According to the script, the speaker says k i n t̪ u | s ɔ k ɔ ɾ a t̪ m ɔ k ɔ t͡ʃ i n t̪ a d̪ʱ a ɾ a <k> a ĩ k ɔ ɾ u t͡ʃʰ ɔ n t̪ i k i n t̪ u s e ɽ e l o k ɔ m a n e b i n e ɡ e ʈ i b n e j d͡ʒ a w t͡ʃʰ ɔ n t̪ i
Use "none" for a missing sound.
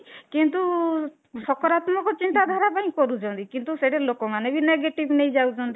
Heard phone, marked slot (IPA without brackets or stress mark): p